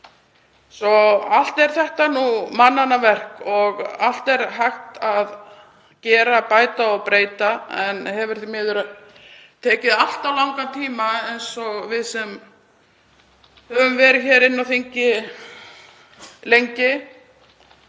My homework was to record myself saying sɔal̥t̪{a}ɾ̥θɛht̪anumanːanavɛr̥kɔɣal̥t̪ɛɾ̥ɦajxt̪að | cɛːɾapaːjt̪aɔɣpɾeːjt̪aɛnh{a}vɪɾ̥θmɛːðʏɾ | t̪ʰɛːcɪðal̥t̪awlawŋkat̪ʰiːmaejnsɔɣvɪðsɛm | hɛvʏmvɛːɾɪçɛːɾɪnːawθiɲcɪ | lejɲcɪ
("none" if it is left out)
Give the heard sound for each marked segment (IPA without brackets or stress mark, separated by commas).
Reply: ɛ, ɛ